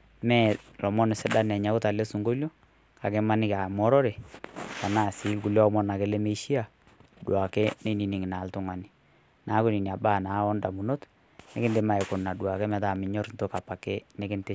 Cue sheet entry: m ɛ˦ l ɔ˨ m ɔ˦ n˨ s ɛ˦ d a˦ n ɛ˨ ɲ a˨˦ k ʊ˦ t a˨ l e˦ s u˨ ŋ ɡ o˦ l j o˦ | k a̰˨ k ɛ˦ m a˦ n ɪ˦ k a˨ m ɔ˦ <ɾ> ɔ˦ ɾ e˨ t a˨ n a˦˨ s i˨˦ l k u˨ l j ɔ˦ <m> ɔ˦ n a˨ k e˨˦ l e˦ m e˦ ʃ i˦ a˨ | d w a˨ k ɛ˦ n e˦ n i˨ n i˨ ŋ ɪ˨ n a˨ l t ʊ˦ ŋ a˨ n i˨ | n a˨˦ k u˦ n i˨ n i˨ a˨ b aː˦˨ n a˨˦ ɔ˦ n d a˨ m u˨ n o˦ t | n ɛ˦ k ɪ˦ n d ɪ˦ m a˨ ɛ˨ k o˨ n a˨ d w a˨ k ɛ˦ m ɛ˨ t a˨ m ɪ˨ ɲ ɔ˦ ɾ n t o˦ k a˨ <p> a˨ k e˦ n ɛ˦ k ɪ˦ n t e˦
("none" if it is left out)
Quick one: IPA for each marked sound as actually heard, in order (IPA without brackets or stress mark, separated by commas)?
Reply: ɾ, m, p